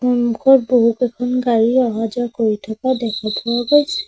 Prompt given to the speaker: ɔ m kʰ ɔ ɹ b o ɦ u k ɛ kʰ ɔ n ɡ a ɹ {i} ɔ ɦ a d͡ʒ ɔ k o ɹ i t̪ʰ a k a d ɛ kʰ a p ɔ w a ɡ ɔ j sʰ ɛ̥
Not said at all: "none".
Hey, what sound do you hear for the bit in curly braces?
i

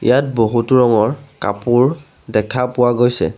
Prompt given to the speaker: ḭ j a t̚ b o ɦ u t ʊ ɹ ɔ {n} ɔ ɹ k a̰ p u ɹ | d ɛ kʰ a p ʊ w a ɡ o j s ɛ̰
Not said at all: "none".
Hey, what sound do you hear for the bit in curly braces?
ŋ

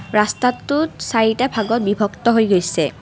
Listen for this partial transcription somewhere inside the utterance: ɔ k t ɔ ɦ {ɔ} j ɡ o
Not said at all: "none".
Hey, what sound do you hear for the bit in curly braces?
o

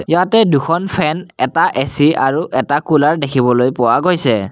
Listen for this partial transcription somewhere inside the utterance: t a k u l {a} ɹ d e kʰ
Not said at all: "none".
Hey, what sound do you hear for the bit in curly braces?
a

